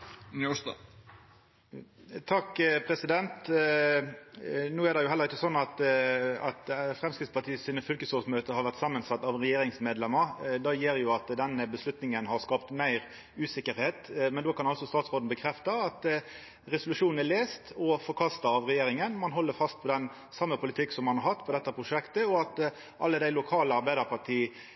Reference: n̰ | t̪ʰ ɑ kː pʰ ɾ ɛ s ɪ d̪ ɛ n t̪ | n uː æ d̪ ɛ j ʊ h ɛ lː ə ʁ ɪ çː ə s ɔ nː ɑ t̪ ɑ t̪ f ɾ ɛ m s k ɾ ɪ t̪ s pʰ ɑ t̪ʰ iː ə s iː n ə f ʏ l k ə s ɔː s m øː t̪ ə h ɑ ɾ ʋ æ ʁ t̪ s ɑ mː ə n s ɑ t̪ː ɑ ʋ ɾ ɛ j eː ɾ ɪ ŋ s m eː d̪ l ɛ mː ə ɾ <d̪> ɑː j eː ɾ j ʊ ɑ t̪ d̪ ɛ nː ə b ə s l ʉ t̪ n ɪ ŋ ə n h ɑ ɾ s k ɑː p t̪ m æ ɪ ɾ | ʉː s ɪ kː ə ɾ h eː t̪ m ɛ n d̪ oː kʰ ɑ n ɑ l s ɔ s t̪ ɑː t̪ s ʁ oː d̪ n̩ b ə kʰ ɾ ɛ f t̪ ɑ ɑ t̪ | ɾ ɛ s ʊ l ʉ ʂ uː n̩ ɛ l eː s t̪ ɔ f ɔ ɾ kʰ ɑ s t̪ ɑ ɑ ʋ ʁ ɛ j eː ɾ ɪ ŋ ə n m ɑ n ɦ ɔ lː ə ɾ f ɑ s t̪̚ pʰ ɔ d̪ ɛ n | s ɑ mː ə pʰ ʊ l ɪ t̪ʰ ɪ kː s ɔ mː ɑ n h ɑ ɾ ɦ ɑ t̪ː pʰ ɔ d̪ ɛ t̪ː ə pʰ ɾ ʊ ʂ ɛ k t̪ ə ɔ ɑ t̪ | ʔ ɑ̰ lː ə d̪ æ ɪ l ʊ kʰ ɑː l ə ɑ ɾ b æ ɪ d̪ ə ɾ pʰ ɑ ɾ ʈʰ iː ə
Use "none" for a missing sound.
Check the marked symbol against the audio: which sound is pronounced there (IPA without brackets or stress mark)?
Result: d̪